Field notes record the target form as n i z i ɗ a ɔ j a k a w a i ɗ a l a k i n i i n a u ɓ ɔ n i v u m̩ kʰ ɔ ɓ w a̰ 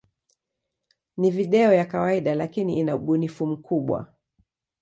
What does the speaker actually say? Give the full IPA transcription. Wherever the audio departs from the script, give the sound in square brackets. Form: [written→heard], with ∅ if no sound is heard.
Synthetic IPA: n i [z→v] i ɗ [a→ɛ] ɔ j a k a w a i ɗ a l a k i n i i n a u ɓ [ɔ→u] n i [v→f] u m̩ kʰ [ɔ→u] ɓ w a̰